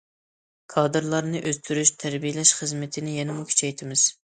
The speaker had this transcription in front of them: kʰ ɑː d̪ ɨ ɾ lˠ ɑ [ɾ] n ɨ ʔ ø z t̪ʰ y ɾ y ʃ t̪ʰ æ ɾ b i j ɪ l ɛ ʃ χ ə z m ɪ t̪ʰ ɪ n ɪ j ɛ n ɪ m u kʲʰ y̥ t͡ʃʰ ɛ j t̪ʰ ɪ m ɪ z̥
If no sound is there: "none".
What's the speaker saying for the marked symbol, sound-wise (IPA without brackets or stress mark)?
ɾ